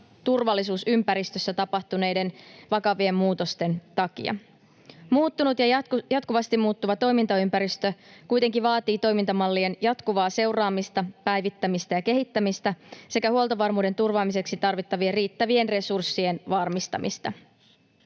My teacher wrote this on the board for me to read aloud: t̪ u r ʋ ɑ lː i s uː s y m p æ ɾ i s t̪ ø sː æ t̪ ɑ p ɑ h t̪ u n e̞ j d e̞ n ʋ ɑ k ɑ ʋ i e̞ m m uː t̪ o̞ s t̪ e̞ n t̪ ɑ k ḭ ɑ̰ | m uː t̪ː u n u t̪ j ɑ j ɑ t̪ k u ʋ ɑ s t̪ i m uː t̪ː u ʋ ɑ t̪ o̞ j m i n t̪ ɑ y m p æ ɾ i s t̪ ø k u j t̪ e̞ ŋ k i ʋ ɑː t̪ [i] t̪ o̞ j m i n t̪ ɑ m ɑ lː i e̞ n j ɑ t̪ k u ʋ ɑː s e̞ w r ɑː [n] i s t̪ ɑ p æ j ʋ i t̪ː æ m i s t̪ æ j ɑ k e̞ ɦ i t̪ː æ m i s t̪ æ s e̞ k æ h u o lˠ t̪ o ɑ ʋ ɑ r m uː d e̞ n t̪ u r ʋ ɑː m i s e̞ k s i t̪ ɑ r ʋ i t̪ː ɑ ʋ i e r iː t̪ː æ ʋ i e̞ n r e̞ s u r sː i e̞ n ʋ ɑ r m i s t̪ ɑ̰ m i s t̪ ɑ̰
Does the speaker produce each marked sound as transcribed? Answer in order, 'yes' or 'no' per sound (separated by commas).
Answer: no, no